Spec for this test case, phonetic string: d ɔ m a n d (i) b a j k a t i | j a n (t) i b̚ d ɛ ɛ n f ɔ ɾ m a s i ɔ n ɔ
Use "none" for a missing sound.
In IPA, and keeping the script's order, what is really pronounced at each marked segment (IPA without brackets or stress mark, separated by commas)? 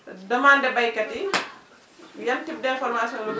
ɛ, t